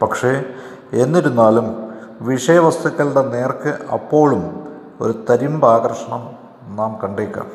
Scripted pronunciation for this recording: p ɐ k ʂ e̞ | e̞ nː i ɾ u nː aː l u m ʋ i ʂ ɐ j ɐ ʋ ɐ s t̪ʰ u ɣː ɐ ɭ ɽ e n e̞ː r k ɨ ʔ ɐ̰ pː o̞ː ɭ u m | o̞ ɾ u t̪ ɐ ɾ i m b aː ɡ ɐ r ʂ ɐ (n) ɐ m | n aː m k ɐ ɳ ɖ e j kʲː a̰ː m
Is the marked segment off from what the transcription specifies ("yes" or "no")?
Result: yes